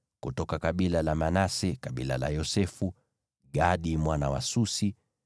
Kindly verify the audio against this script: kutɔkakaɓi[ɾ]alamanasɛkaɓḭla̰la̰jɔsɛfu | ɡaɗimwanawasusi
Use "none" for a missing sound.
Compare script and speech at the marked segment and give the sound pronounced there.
l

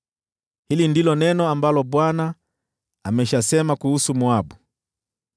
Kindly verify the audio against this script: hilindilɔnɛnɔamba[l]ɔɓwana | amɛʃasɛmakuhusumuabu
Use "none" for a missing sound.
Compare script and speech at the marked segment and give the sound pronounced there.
l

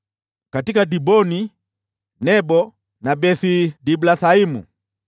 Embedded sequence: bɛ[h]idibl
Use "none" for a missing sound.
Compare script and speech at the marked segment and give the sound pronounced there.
θ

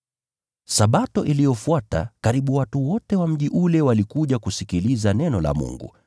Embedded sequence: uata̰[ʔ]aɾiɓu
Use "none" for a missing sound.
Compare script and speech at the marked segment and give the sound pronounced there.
k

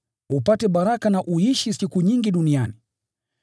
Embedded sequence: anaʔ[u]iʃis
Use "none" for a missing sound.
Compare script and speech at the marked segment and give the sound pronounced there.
u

